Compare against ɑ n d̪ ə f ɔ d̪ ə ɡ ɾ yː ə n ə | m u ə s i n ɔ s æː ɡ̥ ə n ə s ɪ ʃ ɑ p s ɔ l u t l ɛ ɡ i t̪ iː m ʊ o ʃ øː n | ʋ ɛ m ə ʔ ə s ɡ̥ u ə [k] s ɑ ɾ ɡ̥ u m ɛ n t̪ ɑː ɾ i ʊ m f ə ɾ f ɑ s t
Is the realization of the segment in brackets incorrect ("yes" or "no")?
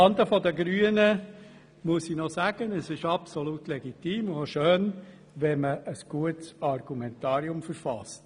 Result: yes